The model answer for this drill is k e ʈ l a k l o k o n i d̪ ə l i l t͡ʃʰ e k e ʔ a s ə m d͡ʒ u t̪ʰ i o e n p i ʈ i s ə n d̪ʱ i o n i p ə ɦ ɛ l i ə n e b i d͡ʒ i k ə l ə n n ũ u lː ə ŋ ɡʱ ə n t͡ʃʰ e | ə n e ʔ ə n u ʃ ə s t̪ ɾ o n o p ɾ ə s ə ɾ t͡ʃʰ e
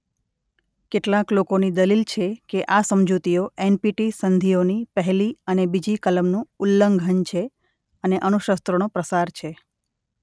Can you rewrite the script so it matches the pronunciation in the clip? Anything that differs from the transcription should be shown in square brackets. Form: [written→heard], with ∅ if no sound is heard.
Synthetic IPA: k e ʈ l a k l o k o n i d̪ ə l i l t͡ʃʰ e k e ʔ a s ə m d͡ʒ u [t̪ʰ→t̪] i o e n p i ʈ i s ə n d̪ʱ i o n i p ə ɦ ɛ l i ə n e b i d͡ʒ i k ə l ə [n→m] n ũ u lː ə ŋ ɡʱ ə n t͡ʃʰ e | ə n e ʔ ə n u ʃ ə s t̪ ɾ o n o p ɾ ə s [ə→a] ɾ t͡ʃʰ e

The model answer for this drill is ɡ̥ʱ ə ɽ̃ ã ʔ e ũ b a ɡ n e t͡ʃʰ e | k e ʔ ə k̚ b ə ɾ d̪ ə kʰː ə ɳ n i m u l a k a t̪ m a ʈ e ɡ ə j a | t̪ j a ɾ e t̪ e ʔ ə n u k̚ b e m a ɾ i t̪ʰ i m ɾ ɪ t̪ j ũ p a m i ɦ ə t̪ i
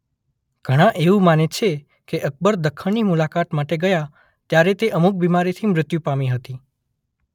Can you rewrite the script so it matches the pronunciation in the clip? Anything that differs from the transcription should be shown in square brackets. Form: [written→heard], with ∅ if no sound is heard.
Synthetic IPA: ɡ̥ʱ ə ɽ̃ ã ʔ e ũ [b→m] a [ɡ→∅] n e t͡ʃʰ e | k e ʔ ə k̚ b ə ɾ d̪ ə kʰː ə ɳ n i m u l a k a t̪ m a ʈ e ɡ ə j a | t̪ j a ɾ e t̪ e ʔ ə [n→m] u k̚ b [e→i] m a ɾ i t̪ʰ i m ɾ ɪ t̪ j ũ p a m i ɦ ə t̪ i

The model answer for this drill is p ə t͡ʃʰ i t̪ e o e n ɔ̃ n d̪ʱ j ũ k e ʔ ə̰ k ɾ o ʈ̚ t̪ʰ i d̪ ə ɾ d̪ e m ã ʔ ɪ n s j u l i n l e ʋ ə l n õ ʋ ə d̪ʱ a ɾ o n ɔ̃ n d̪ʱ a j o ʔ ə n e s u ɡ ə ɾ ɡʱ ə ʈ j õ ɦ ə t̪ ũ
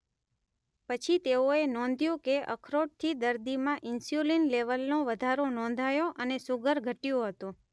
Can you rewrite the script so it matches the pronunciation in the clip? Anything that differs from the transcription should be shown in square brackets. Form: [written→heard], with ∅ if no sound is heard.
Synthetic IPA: p ə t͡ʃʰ i t̪ e o e n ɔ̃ n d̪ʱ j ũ k e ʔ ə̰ [k→kʰ] ɾ o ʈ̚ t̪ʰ i d̪ ə ɾ d̪ [e→i] m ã ʔ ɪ n s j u l i n l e ʋ ə l n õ ʋ ə d̪ʱ a ɾ o n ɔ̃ n d̪ʱ a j o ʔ ə n e s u ɡ ə ɾ ɡʱ ə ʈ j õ ɦ ə t̪ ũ

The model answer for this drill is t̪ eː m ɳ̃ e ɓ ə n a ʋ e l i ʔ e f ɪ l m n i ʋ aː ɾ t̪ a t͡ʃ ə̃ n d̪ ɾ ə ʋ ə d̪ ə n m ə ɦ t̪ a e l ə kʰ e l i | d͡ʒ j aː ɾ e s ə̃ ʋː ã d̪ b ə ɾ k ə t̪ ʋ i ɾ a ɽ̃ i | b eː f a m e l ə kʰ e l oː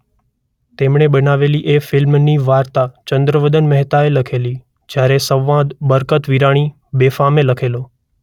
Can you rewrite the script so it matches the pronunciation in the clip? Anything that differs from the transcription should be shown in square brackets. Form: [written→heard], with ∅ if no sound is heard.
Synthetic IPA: t̪ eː m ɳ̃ e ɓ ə n a ʋ e l i ʔ e f ɪ l m n i ʋ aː ɾ t̪ a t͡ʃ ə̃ n d̪ ɾ ə ʋ ə d̪ ə n m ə ɦ t̪ a e l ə kʰ e l i | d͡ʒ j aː ɾ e s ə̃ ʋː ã d̪ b ə ɾ k ə t̪ ʋ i ɾ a ɽ̃ i | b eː f a m e l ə kʰ e l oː

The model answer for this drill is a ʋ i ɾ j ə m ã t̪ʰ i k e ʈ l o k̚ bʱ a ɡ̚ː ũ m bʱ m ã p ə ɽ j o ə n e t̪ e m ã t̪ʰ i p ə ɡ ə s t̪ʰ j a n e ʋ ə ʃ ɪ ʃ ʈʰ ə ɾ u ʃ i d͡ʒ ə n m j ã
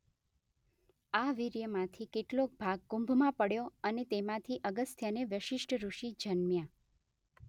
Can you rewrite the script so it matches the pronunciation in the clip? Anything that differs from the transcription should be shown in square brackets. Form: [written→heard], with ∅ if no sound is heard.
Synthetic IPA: a ʋ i ɾ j ə m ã t̪ʰ i k e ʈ l o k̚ bʱ a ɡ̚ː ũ m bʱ m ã p ə ɽ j o ə n e t̪ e m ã t̪ʰ i [p→ʔ] ə ɡ ə s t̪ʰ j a n e ʋ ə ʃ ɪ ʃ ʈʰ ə ɾ u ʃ i d͡ʒ ə n m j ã

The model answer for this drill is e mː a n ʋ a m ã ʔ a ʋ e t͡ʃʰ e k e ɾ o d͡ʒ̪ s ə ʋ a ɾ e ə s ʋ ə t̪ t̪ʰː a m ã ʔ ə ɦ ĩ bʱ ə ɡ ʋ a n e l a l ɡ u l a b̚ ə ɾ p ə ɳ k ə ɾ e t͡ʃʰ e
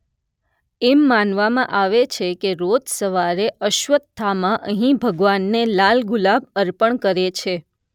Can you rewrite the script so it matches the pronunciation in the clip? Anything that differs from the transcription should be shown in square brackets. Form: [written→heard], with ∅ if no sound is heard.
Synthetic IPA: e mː a n ʋ a m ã ʔ a ʋ e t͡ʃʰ e k e ɾ o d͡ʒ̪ s ə ʋ a ɾ e ə [s→ʃ] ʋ ə t̪ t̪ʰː a m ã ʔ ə ɦ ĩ bʱ ə ɡ ʋ a [n→nː] e l a l ɡ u l a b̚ ə ɾ p ə ɳ k ə ɾ e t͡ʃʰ e

